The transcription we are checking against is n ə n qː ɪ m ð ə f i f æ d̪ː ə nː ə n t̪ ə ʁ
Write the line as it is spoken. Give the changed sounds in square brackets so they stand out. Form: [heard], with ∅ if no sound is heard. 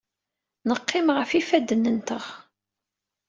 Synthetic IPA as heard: n ə [∅] qː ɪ m [ʁ] ə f i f æ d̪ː ə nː ə n t̪ ə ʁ